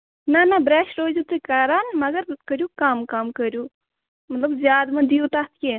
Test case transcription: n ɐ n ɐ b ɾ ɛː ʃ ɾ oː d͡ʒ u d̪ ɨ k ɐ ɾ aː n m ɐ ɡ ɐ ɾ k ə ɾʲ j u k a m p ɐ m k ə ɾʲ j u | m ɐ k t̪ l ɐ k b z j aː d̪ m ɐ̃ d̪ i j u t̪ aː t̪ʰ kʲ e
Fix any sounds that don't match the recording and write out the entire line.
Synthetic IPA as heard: n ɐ n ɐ b ɾ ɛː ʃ ɾ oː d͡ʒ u t̪ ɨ k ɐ ɾ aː n m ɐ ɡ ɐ ɾ k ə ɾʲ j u k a m k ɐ m k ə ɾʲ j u | m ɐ t̪ l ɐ b z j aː d̪ m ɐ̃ d̪ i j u t̪ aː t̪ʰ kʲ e